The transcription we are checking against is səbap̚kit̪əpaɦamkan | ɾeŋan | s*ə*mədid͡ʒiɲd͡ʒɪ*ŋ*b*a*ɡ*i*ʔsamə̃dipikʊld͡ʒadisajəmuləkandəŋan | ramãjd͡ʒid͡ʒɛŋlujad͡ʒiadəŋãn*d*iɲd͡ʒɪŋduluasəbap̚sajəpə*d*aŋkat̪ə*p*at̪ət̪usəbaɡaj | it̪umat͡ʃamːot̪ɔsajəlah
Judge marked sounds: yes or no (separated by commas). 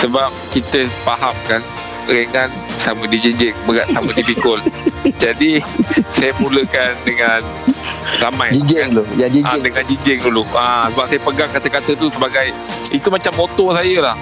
no, yes, no, no, no, no, no